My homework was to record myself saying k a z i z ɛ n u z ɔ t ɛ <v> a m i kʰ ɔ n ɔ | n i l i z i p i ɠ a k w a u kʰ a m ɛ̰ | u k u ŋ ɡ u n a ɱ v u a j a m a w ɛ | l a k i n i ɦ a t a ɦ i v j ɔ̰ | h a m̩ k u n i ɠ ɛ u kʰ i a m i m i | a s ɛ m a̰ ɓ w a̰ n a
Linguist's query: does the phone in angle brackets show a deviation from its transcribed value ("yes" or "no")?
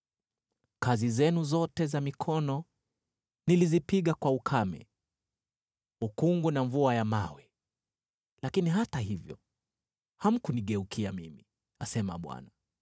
yes